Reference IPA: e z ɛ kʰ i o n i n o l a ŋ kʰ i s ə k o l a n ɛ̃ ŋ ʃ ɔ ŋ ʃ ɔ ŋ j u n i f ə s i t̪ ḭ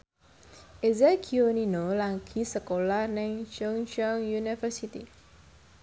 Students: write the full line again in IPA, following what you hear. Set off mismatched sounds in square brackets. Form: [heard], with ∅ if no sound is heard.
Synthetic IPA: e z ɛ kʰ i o n i n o l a ŋ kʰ i s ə k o l a n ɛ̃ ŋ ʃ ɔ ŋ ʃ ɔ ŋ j u n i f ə s i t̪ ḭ